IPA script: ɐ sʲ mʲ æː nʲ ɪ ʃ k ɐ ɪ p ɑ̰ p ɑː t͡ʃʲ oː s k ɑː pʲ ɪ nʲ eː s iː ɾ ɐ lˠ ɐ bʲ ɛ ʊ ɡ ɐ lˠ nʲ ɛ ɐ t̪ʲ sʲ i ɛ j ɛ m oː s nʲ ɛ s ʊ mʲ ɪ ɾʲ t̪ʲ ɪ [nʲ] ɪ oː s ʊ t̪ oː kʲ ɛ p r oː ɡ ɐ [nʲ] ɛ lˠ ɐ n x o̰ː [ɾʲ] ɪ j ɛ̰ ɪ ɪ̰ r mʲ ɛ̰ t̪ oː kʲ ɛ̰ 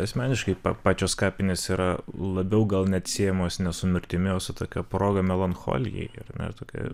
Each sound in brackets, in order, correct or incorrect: incorrect, incorrect, incorrect

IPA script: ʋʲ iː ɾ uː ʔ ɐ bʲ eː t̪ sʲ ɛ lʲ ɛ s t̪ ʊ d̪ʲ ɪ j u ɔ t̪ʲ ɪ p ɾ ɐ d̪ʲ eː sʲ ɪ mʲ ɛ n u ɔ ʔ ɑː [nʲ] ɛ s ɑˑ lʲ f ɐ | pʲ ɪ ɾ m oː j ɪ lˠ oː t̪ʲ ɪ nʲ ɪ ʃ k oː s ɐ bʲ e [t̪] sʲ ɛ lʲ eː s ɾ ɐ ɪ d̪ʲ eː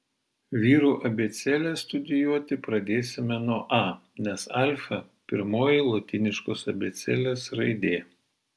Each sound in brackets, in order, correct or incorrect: correct, correct

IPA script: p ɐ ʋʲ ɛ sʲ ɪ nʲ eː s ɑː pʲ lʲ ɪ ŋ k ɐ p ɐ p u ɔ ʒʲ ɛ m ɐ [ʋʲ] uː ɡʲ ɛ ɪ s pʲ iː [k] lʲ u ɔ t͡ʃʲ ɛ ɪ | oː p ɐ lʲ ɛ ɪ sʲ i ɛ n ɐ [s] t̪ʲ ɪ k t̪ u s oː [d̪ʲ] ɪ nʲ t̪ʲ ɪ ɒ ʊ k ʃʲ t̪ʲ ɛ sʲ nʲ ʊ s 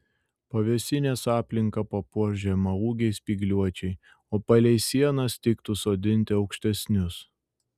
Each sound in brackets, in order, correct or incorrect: incorrect, incorrect, correct, correct

